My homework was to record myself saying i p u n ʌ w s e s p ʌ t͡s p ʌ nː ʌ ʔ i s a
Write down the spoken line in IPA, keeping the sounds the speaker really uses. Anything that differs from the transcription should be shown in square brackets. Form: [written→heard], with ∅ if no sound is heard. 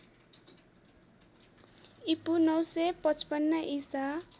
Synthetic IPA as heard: i p u n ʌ w s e [s→∅] p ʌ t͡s p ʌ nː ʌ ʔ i s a